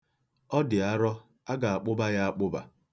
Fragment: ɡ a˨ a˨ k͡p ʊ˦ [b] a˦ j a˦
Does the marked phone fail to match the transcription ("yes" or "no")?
no